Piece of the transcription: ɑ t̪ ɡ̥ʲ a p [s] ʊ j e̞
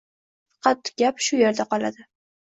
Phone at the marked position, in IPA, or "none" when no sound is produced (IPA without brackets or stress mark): ʃ